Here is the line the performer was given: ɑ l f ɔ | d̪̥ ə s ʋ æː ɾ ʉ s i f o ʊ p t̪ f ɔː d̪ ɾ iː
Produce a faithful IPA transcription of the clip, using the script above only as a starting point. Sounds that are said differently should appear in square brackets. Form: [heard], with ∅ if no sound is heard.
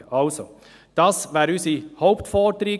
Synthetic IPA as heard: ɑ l [s] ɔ | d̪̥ [ɑ] s ʋ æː ɾ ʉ s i [h] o ʊ p t̪ f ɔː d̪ ɾ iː